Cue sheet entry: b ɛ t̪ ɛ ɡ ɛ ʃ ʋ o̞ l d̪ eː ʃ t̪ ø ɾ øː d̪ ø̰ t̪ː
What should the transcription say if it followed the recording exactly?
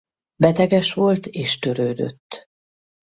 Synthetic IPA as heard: b ɛ t̪ ɛ ɡ ɛ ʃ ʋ o̞ l t̪ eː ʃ t̪ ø ɾ øː d̪ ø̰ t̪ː